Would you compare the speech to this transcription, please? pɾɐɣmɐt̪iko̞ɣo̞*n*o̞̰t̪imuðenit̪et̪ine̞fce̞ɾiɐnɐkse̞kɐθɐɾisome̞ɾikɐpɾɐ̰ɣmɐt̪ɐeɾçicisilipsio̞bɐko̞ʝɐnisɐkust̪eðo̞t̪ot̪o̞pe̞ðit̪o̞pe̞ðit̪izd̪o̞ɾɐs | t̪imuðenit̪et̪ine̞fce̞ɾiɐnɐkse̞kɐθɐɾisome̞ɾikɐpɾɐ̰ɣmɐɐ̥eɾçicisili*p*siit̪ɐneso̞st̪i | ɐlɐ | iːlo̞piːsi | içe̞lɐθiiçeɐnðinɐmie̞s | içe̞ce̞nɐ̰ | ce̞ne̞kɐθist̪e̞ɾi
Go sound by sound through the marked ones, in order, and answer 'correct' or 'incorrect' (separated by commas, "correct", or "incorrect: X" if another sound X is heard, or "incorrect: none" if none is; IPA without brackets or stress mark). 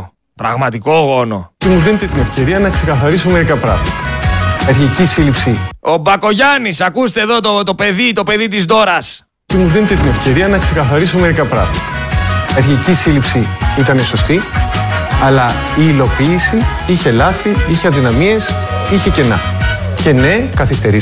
correct, correct